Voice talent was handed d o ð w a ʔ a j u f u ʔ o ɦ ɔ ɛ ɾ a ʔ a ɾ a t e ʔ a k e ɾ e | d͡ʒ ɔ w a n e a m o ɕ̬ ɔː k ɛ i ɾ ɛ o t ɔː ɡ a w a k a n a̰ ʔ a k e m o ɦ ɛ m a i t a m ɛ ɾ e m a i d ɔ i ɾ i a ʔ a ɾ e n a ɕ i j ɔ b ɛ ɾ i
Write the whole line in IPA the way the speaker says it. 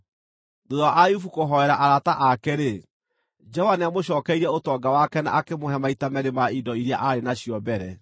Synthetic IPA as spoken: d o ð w a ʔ a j u f u k o ɦ ɔ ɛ ɾ a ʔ a ɾ a t a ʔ a k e ɾ e | d͡ʒ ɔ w a n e a m o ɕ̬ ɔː k ɛ i ɾ ɛ o t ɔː ɡ a w a k ɛ n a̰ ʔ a k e m o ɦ ɛ m a i t a m ɛ ɾ e m a i d ɔ i ɾ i a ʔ a ɾ e n a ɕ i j ɔ b ɛ ɾ ɛ